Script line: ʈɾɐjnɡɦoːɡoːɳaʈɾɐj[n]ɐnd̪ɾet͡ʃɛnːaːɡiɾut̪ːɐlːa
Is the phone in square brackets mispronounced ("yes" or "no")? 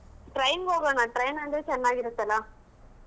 no